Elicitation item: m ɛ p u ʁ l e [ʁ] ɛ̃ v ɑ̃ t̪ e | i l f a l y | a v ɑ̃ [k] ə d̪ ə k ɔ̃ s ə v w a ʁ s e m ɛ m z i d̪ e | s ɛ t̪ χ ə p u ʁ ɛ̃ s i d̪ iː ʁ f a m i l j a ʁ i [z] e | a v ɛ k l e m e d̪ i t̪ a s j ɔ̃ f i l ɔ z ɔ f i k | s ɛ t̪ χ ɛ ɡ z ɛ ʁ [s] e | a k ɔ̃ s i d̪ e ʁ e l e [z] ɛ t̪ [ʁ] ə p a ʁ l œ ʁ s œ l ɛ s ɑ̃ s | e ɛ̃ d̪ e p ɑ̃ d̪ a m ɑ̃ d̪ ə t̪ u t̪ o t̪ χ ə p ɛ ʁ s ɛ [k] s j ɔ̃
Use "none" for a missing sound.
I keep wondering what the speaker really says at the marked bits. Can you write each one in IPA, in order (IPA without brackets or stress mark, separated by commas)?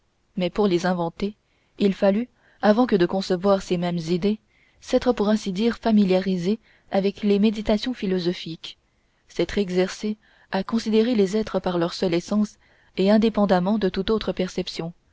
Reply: z, k, z, s, z, χ, p